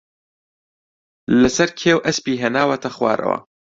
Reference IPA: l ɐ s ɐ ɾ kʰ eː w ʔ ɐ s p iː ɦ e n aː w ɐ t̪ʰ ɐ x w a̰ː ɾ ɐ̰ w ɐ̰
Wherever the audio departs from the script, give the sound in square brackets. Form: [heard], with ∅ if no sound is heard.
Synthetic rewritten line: l ɐ s ɐ ɾ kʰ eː w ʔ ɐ s p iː ɦ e n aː w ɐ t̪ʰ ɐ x w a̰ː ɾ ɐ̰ w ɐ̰